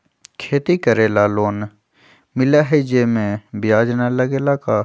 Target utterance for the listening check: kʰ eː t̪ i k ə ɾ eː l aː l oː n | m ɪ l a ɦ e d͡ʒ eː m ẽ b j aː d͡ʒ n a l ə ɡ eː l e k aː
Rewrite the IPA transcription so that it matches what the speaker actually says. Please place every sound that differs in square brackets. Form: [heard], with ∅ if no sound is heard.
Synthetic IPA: kʰ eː t̪ i k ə ɾ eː l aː l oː n | m ɪ l a ɦ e d͡ʒ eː m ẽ b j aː d͡ʒ n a l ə ɡ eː l [a] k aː